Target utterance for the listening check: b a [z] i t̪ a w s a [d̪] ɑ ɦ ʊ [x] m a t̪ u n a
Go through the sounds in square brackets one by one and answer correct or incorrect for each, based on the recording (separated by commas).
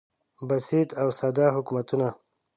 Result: incorrect, correct, incorrect